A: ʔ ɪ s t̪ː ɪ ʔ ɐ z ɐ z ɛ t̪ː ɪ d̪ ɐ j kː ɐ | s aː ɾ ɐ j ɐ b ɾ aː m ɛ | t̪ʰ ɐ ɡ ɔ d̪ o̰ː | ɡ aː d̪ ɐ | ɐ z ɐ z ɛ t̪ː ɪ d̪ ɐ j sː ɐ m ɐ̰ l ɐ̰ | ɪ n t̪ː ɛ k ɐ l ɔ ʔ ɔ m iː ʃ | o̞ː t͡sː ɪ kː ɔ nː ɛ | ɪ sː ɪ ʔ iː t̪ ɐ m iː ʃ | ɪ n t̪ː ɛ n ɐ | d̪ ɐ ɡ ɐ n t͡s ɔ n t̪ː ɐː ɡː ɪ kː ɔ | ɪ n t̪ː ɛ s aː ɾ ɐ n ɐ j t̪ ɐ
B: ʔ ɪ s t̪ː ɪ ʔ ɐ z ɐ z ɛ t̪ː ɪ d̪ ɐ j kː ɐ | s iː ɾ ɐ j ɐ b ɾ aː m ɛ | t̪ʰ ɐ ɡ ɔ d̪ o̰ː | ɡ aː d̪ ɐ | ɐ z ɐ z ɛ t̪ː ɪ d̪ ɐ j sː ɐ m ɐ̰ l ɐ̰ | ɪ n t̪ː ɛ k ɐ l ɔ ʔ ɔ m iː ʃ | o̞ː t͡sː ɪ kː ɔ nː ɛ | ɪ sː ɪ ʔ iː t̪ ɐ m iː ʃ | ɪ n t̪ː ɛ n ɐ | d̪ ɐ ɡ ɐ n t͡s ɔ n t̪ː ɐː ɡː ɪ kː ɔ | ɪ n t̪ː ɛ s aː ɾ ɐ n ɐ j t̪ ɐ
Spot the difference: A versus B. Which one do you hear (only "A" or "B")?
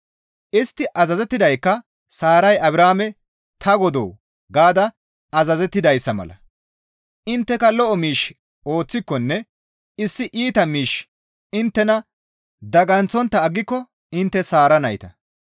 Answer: A